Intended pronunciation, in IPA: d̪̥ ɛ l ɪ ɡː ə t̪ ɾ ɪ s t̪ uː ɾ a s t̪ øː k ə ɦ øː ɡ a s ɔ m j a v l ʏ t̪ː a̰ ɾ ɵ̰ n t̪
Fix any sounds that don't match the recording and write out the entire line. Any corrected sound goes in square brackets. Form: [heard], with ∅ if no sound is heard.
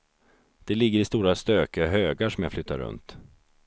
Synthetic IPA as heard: d̪̥ ɛ l ɪ ɡː ə [∅] ɾ ɪ s t̪ uː ɾ a s t̪ øː k ə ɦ øː ɡ a [ʂ] ɔ m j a [f] l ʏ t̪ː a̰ ɾ ɵ̰ n t̪